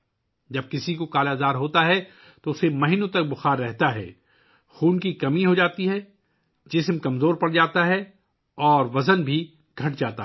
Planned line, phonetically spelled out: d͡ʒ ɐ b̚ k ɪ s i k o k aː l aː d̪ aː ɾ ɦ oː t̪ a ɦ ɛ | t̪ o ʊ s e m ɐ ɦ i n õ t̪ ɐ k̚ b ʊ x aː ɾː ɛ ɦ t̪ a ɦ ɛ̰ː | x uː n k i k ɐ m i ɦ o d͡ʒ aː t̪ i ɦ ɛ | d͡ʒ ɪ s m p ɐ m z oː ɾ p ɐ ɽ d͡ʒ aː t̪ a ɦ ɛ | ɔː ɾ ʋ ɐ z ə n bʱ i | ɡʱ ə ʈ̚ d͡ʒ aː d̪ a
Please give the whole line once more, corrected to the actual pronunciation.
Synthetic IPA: d͡ʒ ɐ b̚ k ɪ s i k o k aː l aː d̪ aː ɾ ɦ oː t̪ a ɦ ɛ | t̪ o ʊ s e m ɐ ɦ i n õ t̪ ɐ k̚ b ʊ x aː ɾː ɛ ɦ t̪ a ɦ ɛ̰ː | x uː n k i k ɐ m i ɦ o d͡ʒ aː t̪ i ɦ ɛ | d͡ʒ ɪ s m k ɐ m z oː ɾ p ɐ ɽ d͡ʒ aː t̪ a ɦ ɛ | ɔː ɾ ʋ ɐ z ə n bʱ i | ɡʱ ɐ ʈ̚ d͡ʒ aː t̪ a